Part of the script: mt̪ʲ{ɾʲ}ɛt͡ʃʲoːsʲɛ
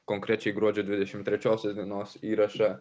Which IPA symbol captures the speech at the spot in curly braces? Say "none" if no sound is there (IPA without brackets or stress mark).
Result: ɾʲ